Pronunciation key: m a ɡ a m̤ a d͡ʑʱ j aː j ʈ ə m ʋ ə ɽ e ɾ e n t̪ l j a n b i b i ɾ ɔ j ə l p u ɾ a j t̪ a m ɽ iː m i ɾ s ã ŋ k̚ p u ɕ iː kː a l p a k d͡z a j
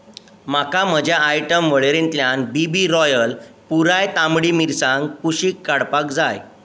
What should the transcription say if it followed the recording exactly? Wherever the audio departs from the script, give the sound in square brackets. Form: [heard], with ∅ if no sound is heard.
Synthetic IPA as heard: m a [k] a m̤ [ə] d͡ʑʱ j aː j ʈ ə m ʋ ə [ɭ] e ɾ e n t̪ l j a n b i b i ɾ ɔ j ə l p u ɾ a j t̪ a m ɽ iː m i ɾ s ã ŋ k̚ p u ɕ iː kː a [ɽ] p a k d͡z a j